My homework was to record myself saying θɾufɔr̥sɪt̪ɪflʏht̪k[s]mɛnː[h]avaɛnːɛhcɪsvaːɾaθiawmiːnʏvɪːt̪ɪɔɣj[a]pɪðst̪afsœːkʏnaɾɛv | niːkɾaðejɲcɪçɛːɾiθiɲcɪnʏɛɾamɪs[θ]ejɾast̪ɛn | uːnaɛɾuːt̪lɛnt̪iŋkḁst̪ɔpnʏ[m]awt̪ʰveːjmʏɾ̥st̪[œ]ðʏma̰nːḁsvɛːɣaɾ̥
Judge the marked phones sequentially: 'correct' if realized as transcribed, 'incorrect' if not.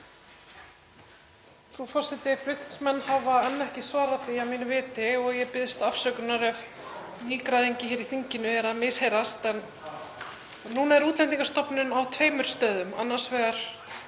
correct, correct, incorrect: ɛ, incorrect: h, incorrect: n, incorrect: œː

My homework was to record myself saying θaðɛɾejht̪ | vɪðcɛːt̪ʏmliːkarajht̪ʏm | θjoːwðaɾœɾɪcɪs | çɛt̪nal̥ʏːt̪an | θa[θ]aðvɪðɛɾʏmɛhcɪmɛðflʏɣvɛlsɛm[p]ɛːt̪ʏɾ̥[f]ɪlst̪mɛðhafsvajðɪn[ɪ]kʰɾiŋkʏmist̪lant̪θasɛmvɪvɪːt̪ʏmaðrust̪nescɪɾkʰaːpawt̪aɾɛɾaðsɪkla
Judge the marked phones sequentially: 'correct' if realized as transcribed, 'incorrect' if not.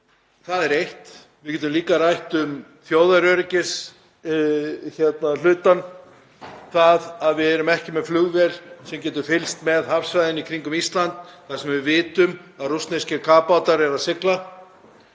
incorrect: ð, incorrect: c, correct, incorrect: i

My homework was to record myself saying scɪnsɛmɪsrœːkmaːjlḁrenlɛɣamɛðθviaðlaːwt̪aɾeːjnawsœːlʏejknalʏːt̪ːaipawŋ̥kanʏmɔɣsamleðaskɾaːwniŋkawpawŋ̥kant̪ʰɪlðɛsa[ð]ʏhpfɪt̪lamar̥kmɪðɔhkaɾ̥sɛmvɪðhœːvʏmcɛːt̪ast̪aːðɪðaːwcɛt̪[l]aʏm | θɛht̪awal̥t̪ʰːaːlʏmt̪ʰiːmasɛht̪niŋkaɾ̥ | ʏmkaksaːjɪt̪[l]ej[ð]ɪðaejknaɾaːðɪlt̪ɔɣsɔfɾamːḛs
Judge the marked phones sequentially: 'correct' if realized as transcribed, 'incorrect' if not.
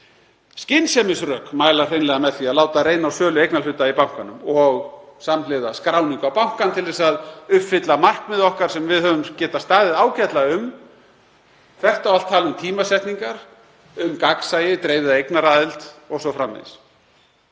correct, correct, incorrect: ɾ, incorrect: v

